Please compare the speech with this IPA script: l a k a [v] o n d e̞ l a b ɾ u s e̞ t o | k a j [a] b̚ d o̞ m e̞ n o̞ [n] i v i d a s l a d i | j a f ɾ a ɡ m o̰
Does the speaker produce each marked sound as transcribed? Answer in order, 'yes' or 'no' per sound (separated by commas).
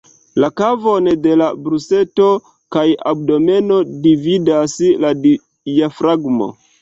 yes, yes, no